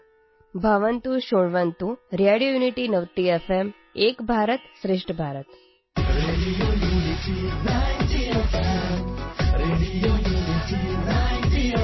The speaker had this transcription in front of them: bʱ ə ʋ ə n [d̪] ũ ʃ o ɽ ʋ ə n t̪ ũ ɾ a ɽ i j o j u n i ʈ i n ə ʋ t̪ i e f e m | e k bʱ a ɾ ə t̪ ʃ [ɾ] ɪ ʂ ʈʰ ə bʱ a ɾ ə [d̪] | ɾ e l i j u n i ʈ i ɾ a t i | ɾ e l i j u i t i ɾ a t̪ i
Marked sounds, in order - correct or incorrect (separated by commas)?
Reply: incorrect, correct, incorrect